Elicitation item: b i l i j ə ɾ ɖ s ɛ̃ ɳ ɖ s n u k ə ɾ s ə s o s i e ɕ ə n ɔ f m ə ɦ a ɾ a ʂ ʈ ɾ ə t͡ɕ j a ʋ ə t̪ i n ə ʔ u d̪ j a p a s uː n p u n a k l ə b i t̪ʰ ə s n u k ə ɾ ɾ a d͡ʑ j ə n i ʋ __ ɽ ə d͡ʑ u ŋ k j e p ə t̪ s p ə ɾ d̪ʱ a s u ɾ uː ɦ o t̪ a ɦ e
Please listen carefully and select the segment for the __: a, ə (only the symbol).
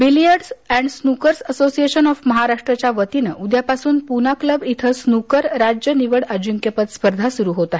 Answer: ə